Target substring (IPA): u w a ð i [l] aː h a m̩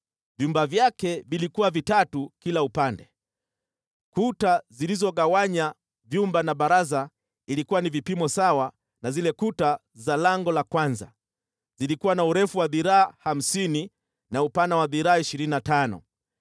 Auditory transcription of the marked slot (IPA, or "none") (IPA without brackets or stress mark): ɾ